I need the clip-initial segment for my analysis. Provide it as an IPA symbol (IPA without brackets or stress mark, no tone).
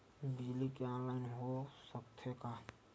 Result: b